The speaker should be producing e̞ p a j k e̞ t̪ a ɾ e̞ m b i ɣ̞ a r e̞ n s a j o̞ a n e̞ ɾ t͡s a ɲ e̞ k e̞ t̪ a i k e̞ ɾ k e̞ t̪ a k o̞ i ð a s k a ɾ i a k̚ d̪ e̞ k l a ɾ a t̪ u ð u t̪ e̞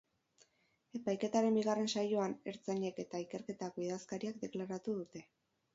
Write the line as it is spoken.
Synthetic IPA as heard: e̞ p a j k e̞ t̪ a ɾ e̞ m b i ɣ̞ a r e̞ n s a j o̞ a n e̞ ɾ t͡s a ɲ e̞ k e̞ t̪ a i k e̞ ɾ k e̞ t̪ a k o̞ i ð a s k a ɾ i a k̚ d̪ e̞ k l a ɾ a t̪ u ð u t̪ e̞